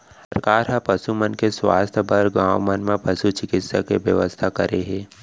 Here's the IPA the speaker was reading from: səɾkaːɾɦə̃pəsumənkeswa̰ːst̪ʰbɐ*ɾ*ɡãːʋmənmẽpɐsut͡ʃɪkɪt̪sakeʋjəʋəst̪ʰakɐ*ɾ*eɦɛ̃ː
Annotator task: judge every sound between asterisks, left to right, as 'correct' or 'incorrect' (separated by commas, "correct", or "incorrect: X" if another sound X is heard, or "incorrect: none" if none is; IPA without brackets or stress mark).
correct, correct